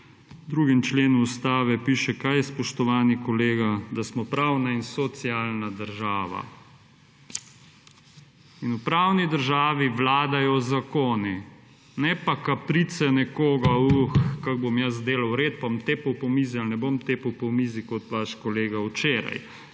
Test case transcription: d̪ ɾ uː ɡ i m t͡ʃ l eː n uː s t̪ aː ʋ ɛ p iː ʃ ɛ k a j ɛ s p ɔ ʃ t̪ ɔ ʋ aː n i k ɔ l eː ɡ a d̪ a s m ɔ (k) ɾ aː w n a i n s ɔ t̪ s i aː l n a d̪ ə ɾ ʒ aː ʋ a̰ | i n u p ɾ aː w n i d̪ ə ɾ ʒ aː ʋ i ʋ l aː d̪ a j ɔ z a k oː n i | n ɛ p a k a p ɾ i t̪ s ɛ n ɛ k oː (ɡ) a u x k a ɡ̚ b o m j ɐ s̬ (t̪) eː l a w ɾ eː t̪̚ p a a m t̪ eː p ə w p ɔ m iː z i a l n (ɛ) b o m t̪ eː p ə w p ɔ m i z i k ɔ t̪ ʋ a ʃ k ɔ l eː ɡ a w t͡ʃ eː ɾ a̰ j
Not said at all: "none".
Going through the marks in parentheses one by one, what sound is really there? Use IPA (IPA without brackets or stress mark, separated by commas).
p, ɡ, d̪, ɛ